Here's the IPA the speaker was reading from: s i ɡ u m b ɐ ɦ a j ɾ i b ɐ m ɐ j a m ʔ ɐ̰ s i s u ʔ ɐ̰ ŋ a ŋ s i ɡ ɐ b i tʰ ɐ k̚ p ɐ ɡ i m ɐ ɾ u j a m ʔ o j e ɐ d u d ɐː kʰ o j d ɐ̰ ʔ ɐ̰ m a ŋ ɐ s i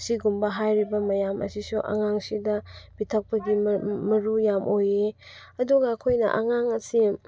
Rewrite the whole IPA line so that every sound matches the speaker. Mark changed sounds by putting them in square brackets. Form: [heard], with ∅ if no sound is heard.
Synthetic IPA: s i ɡ u m b ɐ ɦ a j ɾ i b ɐ m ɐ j a m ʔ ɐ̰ s i s u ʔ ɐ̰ ŋ a ŋ s i [d] ɐ b i tʰ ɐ k̚ p ɐ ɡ i m ɐ ɾ u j a m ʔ o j e ɐ d u [ɡ] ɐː kʰ o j [n] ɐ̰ ʔ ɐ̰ [ŋ] a ŋ ɐ s i